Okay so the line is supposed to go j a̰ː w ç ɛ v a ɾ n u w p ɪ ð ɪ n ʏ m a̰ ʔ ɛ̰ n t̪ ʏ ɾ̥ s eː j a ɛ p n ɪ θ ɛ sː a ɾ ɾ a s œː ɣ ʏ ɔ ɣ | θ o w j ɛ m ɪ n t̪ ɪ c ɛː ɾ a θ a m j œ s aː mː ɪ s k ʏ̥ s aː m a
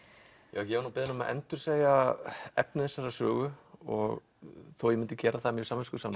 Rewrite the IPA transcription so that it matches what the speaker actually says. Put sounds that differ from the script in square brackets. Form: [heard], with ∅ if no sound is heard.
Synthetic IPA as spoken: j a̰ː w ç ɛ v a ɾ n u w p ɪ ð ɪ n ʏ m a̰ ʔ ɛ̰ n t̪ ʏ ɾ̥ s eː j a ɛ p n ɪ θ ɛ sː a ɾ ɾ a s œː ɣ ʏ ɔ ɣ | θ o w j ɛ m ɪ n t̪ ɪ c ɛː ɾ a θ a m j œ s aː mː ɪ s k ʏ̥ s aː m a